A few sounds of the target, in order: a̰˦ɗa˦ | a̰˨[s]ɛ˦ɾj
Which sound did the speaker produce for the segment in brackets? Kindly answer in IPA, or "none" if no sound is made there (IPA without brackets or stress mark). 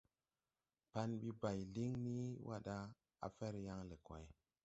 f